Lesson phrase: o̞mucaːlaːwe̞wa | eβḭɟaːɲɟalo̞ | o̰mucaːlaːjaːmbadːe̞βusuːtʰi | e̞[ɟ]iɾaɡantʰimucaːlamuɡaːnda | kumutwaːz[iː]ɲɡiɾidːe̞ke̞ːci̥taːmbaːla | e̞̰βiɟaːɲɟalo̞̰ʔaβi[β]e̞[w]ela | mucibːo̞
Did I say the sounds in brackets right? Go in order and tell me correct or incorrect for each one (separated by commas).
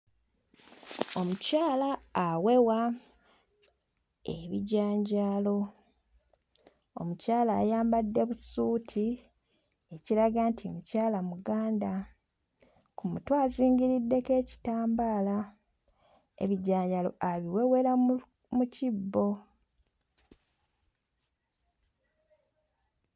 incorrect, correct, incorrect, correct